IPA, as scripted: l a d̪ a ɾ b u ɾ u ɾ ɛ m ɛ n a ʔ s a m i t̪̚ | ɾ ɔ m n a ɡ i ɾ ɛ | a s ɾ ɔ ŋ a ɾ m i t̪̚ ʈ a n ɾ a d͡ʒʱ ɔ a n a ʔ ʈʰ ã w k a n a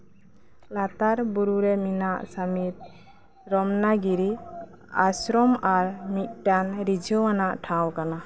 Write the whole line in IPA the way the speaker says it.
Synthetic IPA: l a t̪ a ɾ b u ɾ u ɾ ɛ m i n a ʔ s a m i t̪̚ | ɾ ɔ m n a ɡ i ɾ i | a s ɾ ɔ m a ɾ m i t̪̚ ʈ a n ɾ i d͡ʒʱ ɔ a n a ʔ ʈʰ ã w k a n a

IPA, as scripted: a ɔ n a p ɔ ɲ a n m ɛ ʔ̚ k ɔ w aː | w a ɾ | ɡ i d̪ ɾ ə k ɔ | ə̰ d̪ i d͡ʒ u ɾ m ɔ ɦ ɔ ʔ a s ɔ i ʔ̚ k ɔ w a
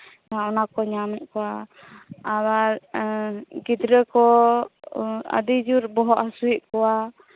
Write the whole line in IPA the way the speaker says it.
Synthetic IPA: a ɔ n a k ɔ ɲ a m ɛ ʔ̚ k ɔ w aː | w a ɾ | ɡ i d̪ ɾ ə k ɔ | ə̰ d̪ i d͡ʒ u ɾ b ɔ ɦ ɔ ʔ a s u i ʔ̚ k ɔ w a

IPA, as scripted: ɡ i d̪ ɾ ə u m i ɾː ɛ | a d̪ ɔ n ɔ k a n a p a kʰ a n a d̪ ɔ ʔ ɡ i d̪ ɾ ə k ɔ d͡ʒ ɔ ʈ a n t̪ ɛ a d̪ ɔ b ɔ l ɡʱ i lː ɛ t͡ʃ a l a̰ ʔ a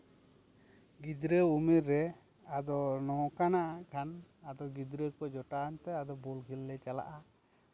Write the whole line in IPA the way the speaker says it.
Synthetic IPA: ɡ i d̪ ɾ ə u m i ɾː ɛ | a d̪ ɔ n ɔ k a n a ʔ a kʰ a n a d̪ ɔ ɡ i d̪ ɾ ə k ɔ d͡ʒ ɔ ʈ a n t̪ ɛ a d̪ ɔ b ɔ l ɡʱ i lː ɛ t͡ʃ a l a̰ ʔ a

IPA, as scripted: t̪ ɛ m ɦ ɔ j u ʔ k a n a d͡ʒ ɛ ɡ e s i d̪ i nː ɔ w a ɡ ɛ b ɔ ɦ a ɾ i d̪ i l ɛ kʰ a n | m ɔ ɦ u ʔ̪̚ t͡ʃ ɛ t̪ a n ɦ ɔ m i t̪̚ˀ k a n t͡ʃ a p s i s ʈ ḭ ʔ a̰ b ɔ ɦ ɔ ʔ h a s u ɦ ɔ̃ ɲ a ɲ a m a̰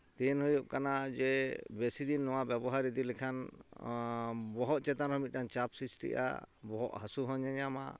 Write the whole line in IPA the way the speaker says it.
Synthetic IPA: t̪ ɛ n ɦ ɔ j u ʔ k a n a d͡ʒ ɛ b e s i d̪ i nː ɔ w a b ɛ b ɔ ɦ a ɾ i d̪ i l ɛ kʰ a n | b ɔ ɦ ɔ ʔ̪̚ t͡ʃ ɛ t̪ a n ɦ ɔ m i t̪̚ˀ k a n t͡ʃ a p s i s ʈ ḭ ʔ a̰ b ɔ ɦ ɔ ʔ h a s u ɦ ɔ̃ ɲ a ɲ a m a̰

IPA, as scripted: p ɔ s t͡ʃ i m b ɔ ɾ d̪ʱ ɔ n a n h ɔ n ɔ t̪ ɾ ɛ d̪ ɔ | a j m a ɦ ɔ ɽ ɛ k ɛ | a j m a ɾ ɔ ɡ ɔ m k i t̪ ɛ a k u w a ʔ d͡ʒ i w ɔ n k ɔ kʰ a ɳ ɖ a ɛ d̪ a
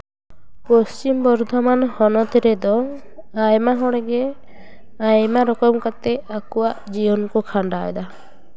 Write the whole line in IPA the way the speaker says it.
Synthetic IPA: p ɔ s t͡ʃ i m b ɔ ɾ d̪ʱ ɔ m a n h ɔ n ɔ t̪ ɾ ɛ d̪ ɔ | a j m a ɦ ɔ ɽ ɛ ɡ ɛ | a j m a ɾ ɔ k ɔ m k a t̪ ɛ a k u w a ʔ d͡ʒ i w ɔ n k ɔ kʰ a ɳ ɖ a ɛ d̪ a

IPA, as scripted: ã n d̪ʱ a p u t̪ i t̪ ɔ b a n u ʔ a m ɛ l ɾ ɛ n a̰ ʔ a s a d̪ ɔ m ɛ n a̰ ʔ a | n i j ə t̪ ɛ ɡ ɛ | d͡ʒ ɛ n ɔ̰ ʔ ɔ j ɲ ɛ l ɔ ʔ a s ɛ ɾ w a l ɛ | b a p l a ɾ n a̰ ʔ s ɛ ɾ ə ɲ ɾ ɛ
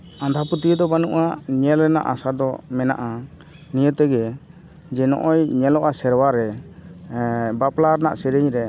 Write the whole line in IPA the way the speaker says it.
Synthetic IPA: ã n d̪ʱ a p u t̪ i d̪ ɔ b a n u ʔ a ɲ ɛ l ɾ ɛ n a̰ ʔ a s a d̪ ɔ m ɛ n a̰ ʔ a | n i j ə t̪ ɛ ɡ ɛ | d͡ʒ ɛ n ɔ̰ ʔ ɔ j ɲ ɛ l ɔ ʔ a s ɛ ɾ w a ɾ ɛ | b a p l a ɾ n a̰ ʔ s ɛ ɾ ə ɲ ɾ ɛ

